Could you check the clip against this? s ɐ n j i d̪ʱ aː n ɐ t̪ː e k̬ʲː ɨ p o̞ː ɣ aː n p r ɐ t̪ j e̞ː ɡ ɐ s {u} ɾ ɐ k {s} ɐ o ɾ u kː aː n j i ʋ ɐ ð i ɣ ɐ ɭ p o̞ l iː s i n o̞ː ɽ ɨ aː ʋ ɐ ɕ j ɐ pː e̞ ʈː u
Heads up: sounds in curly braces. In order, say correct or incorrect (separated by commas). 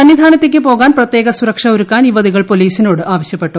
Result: correct, incorrect